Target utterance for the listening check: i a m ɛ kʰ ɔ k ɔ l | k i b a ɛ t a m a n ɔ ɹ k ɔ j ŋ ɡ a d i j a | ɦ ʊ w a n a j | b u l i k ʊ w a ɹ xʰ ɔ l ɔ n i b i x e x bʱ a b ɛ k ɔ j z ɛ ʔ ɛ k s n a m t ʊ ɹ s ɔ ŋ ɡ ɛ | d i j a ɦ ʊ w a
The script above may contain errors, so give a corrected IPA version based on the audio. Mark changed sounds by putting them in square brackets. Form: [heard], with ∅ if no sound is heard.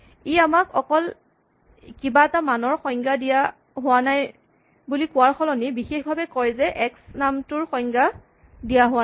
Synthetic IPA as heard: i a m [a] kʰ ɔ k ɔ l | k i b a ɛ t a m a n ɔ ɹ [x] ɔ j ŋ ɡ a d i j a | ɦ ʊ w a n a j | b u l i k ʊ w a ɹ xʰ ɔ l ɔ n i b i x e x bʱ a b ɛ k ɔ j z ɛ ʔ ɛ k s n a m t ʊ ɹ [x] ɔ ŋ ɡ [a] | d i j a ɦ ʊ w a